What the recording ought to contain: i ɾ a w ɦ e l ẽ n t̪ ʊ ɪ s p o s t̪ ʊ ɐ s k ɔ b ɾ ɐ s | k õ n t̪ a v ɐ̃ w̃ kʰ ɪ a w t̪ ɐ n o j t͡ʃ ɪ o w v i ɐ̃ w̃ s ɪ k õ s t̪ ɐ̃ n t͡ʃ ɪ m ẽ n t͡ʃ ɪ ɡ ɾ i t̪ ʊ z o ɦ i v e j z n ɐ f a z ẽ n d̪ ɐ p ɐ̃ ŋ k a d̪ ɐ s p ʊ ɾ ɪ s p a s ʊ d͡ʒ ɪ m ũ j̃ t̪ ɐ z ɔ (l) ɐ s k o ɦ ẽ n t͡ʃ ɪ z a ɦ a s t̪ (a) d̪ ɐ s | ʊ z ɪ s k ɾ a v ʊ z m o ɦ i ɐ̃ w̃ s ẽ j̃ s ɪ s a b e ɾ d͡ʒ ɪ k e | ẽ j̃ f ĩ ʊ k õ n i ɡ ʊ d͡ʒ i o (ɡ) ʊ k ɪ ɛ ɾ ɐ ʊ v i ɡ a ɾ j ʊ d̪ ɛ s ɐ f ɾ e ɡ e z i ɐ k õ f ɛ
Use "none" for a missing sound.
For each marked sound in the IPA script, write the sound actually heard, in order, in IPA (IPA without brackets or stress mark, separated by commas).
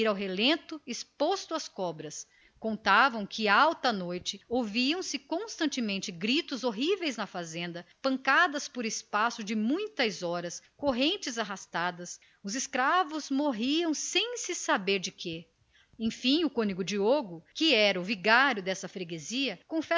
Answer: ɾ, a, ɡ